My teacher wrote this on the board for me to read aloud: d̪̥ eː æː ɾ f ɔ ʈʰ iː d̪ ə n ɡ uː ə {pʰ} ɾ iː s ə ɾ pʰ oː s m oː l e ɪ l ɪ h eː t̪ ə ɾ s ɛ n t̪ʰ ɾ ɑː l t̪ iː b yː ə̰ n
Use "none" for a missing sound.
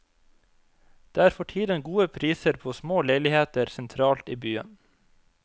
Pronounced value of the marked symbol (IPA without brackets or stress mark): pʰ